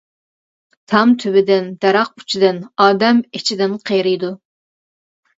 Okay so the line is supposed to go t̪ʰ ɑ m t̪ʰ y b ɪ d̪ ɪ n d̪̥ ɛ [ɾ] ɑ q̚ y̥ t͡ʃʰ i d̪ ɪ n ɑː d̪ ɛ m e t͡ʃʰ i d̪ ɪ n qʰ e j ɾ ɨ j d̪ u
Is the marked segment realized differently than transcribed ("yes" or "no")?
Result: no